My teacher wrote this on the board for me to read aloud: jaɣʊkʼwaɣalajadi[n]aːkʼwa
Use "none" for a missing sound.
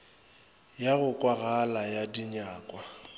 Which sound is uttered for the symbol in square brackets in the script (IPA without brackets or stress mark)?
ɲ